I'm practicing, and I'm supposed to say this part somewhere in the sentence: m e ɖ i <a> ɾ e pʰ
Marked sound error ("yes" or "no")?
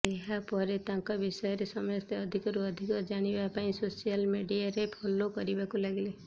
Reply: no